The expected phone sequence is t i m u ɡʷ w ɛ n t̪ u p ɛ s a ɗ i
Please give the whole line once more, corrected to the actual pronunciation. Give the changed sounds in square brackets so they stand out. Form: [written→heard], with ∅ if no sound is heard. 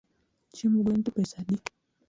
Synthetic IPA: [t→t͡ʃ] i m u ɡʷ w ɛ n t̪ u p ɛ s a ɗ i